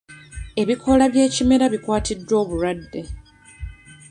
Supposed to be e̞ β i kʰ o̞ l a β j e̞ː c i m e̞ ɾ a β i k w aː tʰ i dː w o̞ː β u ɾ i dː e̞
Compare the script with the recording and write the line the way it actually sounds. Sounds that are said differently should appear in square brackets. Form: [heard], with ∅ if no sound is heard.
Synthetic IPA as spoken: e̞ β i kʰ o̞ l a β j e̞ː c i m e̞ ɾ a β i k w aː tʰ i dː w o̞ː β u ɾ [a] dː e̞

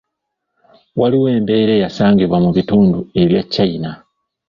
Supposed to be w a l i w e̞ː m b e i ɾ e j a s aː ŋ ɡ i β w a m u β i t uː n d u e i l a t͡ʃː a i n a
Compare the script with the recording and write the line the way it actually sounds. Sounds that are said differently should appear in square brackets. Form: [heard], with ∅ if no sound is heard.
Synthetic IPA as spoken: w a l i w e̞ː m b e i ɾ e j a s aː ŋ ɡ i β w a m u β i t uː n d u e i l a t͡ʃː a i n a

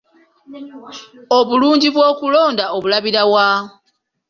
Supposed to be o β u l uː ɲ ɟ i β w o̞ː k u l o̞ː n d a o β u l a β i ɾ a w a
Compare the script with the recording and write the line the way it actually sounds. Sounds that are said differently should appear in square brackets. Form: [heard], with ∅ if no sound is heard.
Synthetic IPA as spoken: o β u l uː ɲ ɟ i β w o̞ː k u l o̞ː n d a o β u l a β i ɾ a w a

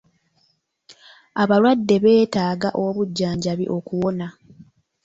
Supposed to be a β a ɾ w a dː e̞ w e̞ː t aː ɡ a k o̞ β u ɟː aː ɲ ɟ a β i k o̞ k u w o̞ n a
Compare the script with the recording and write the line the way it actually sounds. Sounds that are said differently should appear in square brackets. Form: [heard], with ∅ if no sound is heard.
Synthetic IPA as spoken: a β a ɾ w a dː e̞ [β] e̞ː t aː ɡ a [ʔ] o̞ β u ɟː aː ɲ ɟ a β i [ʔ] o̞ k u w o̞ n a

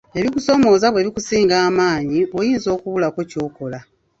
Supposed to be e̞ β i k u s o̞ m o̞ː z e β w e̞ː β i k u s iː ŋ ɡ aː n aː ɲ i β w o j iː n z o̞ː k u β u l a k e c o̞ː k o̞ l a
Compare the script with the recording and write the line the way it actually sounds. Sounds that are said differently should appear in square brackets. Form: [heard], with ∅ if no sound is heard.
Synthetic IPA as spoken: e̞ β i k u s o̞ m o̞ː z [a] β w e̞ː β i k u s iː ŋ ɡ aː [m] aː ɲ i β w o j iː n z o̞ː k u β u l a k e c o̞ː k o̞ l a

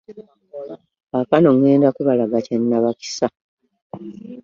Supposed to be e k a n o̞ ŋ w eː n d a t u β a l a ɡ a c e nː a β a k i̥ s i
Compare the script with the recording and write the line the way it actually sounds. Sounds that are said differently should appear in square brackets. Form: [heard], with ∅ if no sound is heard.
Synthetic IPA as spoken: [a] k a n o̞ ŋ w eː n d a [k] u β a l a ɡ a c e nː a β a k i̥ s [a]

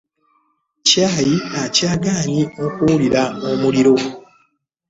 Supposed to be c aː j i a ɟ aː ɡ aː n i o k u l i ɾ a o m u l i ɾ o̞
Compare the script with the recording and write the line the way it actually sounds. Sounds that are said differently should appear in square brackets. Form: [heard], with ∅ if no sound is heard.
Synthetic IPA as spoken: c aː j i a [c] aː ɡ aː [ɲ] i o k u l i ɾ a o m u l i ɾ o̞

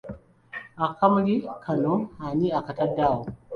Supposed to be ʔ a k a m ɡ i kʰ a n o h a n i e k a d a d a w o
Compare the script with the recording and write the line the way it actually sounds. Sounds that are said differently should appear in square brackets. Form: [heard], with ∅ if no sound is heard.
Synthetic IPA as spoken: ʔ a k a m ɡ i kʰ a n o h a n i [a] k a [t] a d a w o

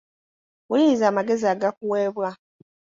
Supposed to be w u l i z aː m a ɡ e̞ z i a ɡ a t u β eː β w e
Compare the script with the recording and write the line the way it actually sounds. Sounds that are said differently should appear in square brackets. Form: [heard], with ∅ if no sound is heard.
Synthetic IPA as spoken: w u l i z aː m a ɡ e̞ z i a ɡ a [k] u [w] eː β w [a]

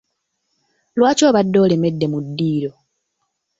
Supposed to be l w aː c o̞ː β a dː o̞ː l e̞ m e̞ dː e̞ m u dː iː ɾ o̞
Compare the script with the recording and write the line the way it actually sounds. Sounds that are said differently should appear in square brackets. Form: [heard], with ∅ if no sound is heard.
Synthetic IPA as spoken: l w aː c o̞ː β a dː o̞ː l e̞ m e̞ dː e̞ m u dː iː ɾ o̞

